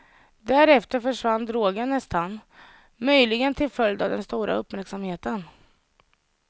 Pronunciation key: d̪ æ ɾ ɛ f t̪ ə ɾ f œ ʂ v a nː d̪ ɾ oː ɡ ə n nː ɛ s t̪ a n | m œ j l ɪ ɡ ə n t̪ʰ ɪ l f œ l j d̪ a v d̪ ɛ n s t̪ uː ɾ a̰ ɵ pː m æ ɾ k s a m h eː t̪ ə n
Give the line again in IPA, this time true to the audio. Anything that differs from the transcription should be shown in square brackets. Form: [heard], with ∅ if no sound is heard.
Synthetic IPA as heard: d̪ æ ɾ ɛ f t̪ ə ɾ f œ ʂ v a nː d̪ ɾ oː ɡ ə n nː ɛ s t̪ a n | m œ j l ɪ ɡ ə n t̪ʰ ɪ l f œ l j d̪ a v d̪ ɛ n s t̪ uː ɾ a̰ ɵ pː m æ ɾ k s a m h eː t̪ ə n

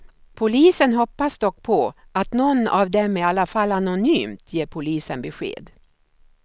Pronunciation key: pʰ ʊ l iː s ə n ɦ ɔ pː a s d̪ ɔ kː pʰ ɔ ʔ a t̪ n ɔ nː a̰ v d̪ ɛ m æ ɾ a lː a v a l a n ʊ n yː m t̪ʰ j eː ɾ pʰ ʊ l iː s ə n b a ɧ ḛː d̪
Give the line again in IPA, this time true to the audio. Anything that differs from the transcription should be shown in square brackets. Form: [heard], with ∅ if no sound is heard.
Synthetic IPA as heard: pʰ ʊ l iː s ə n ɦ ɔ pː a s d̪ ɔ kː pʰ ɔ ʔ a t̪ n ɔ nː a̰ v d̪ ɛ m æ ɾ a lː a [f] a l a n ʊ n yː m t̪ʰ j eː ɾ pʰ ʊ l iː s ə n b [ɛ] ɧ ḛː d̪

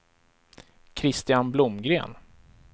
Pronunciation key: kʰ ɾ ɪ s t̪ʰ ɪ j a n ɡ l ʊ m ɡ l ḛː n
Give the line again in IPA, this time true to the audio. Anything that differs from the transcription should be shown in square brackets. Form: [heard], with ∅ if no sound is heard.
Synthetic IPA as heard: kʰ ɾ ɪ s [t̪] ɪ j a n [b] l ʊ m ɡ [ɾ] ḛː n

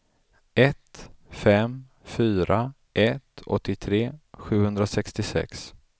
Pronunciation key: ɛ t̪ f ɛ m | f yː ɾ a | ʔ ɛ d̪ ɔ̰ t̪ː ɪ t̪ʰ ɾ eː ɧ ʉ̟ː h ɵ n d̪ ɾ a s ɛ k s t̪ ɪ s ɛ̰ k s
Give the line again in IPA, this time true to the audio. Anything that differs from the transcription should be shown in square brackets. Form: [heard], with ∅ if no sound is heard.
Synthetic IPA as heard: ɛ t̪ f ɛ m | f yː ɾ a | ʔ ɛ [t̪] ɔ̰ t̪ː ɪ t̪ʰ ɾ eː ɧ ʉ̟ː h ɵ n d̪ ɾ a s ɛ k s t̪ ɪ s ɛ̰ k s

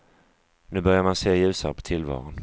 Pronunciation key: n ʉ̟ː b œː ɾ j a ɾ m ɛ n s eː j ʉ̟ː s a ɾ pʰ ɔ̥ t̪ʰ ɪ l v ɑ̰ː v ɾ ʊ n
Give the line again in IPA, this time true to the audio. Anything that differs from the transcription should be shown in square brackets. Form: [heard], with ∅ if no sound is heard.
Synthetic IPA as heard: n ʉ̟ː b [œ] ɾ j a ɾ m [a] n s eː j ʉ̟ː s a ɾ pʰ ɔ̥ t̪ʰ ɪ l v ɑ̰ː [∅] ɾ ʊ n

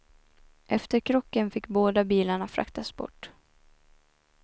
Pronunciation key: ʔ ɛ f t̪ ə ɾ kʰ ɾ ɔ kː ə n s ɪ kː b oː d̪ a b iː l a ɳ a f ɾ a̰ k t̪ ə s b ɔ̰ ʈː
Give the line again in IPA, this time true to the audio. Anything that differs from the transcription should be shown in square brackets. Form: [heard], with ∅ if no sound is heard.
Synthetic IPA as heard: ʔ ɛ f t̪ ə ɾ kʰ ɾ ɔ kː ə n [f] ɪ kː b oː d̪ a b iː l a ɳ a f ɾ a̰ k t̪ [a] s b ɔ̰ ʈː

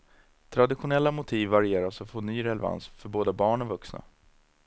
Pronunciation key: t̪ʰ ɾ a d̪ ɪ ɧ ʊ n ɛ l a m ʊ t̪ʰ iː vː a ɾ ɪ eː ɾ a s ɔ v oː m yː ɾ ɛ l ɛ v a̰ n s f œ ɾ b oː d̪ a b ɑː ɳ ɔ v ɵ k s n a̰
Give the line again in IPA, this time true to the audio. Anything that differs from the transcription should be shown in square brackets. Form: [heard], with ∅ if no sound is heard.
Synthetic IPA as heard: t̪ʰ ɾ a d̪ ɪ ɧ ʊ n ɛ [lː] a m ʊ t̪ʰ iː vː a ɾ ɪ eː ɾ a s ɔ [f] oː [n] yː ɾ ɛ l ɛ v a̰ n s f œ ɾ b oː d̪ a b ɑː ɳ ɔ v ɵ k s n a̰

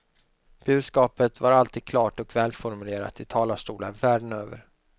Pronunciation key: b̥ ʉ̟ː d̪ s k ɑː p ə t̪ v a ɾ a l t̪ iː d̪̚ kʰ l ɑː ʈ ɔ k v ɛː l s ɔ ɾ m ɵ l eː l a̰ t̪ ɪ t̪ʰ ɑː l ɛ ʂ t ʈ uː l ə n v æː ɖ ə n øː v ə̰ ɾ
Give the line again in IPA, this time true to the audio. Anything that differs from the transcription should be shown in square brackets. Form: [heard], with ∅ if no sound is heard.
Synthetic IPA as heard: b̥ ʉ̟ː d̪ s k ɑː p ə t̪ v a ɾ a l t̪ iː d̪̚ kʰ l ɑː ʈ ɔ k v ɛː l [f] ɔ ɾ m ɵ l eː [ɾ] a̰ t̪ ɪ t̪ʰ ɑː l [a] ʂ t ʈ uː l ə n v æː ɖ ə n øː v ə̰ ɾ

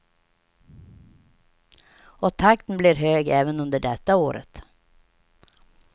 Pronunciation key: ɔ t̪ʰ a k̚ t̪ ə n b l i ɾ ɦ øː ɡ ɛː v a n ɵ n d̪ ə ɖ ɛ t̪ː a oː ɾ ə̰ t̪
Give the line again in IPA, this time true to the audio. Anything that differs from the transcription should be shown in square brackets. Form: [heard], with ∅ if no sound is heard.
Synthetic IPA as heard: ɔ t̪ʰ a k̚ t̪ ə n b l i ɾ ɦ øː ɡ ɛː v [ə] n ɵ n d̪ ə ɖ ɛ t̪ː a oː ɾ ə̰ t̪

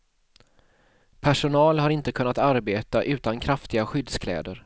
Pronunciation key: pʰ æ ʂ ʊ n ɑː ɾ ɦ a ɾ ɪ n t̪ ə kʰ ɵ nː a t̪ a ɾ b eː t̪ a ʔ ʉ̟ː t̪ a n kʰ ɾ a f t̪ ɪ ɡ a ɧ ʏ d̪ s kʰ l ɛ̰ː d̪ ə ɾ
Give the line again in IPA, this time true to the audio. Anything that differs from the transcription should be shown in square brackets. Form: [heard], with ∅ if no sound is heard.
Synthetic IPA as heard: pʰ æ ʂ ʊ n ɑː [l] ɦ a ɾ ɪ n t̪ ə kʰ ɵ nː a t̪ a ɾ b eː t̪ a ʔ ʉ̟ː t̪ a n kʰ ɾ a f t̪ ɪ ɡ a ɧ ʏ d̪ s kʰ l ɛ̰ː d̪ ə ɾ

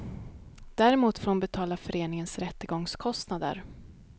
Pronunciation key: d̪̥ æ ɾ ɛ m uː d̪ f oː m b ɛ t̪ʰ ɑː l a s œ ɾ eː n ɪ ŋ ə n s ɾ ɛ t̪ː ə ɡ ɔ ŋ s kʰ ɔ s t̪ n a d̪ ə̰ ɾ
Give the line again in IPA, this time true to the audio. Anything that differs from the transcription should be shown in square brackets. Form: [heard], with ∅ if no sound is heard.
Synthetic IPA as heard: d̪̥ æ ɾ ɛ m uː [t̪] f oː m b ɛ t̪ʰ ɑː l a [f] œ ɾ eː n ɪ ŋ ə n s ɾ ɛ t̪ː ə ɡ ɔ ŋ s kʰ ɔ s t̪ n a d̪ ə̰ ɾ

